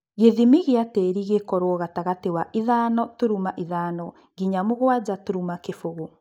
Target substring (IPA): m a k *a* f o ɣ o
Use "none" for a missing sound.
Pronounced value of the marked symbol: e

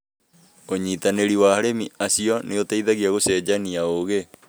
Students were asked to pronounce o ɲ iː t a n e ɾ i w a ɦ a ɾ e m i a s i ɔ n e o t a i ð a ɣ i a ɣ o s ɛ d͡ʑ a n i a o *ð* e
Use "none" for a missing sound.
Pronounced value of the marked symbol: ɣ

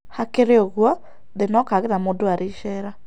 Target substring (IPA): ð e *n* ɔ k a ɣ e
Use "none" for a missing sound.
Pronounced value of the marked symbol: n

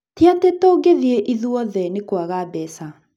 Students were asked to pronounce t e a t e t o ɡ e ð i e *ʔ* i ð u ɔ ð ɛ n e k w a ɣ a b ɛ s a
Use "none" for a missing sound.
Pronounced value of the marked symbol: ʔ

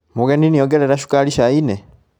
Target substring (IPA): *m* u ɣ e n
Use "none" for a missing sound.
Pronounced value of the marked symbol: m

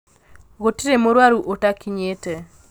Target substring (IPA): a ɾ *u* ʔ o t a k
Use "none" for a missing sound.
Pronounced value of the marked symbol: u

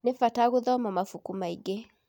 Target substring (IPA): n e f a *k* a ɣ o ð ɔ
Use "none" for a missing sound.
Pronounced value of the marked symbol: t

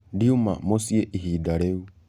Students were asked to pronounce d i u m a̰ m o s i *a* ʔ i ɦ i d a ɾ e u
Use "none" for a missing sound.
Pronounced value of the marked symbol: e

